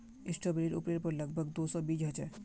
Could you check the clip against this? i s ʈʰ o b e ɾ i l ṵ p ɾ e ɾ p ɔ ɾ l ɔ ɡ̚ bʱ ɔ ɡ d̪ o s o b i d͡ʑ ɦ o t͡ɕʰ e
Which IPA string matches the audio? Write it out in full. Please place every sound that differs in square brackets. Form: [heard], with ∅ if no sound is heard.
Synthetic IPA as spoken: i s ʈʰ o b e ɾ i [ɾ] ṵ p ɾ e ɾ p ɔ ɾ l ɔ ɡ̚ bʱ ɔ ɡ d̪ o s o b i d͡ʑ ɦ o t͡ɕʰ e